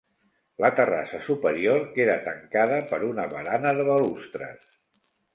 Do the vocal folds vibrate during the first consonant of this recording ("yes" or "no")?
yes